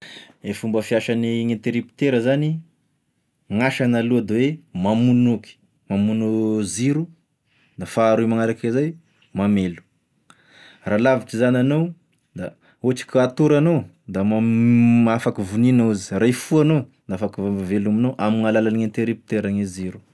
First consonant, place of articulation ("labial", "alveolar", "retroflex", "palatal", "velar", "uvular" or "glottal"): labial